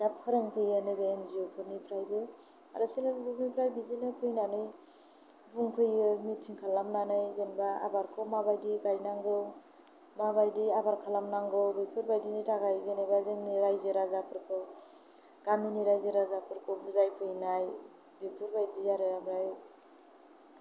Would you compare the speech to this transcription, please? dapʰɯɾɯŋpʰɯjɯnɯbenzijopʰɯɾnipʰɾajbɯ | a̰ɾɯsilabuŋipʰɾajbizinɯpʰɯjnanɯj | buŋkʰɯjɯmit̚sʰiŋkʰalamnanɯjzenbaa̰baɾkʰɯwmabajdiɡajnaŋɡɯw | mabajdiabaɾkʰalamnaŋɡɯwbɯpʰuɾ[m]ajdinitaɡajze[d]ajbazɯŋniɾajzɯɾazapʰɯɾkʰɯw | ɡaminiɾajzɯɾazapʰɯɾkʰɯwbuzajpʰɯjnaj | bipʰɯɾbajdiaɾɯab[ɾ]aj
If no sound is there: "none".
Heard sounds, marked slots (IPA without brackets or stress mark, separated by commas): b, n, ɾ